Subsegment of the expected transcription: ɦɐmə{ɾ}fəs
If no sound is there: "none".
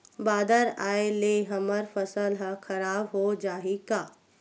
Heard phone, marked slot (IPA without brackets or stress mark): ɾ